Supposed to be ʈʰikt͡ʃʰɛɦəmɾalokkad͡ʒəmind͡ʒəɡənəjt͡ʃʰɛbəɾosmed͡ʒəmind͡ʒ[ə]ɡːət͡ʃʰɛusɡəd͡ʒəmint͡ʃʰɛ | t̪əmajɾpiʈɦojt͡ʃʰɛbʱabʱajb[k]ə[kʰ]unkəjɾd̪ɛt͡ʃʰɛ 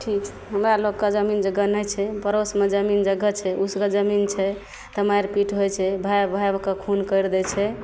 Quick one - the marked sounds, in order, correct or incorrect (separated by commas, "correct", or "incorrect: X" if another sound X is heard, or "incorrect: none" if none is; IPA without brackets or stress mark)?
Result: correct, correct, correct